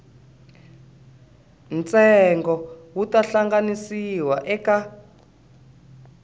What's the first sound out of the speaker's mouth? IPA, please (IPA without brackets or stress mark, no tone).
n